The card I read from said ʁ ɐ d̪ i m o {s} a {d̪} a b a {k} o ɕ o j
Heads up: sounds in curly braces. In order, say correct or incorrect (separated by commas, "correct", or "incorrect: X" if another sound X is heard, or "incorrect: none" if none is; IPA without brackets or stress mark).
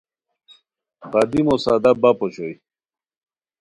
correct, correct, incorrect: p